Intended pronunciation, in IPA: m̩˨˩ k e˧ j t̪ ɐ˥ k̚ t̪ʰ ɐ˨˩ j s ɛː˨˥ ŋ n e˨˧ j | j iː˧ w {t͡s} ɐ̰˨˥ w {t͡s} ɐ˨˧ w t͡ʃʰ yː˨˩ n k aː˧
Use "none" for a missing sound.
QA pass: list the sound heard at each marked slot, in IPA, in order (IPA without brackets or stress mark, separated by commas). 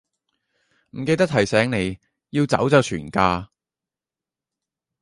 t͡s, t͡s